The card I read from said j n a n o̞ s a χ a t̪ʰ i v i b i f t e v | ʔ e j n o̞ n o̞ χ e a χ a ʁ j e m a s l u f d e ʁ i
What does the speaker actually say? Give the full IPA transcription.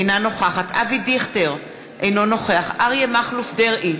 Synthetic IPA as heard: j n a n o̞ χ a χ a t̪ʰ a v i d i χ t e ʁ | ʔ e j n o̞ n o̞ χ e a χ a ʁ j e m a χ l u f d e ʁ i